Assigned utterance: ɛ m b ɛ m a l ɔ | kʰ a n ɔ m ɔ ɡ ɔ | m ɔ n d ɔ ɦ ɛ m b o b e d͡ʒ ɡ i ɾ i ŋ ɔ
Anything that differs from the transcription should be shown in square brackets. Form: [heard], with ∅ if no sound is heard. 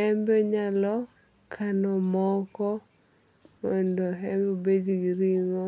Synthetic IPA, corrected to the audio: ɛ m b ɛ [ɲ] a l ɔ | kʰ a n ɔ m ɔ [k] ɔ | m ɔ n d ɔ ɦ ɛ m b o b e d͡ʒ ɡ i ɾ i ŋ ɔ